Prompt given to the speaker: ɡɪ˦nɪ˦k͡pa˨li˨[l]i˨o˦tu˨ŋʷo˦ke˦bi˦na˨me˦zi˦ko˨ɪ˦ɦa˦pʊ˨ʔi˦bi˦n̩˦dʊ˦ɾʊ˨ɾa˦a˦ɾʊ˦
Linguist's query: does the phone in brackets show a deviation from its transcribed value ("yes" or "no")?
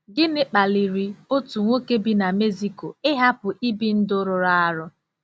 yes